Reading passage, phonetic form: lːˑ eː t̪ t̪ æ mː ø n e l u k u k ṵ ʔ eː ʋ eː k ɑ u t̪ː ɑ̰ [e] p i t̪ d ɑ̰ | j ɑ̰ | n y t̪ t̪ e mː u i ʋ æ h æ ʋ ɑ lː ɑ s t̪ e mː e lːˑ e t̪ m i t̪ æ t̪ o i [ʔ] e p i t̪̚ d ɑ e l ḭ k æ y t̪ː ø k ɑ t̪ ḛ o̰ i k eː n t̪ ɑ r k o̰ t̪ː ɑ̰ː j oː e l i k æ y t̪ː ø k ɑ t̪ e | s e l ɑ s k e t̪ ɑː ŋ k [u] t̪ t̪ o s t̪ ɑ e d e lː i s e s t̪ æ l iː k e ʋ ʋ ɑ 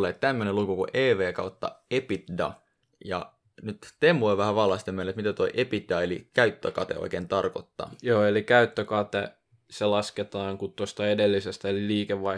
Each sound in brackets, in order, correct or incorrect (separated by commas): correct, correct, correct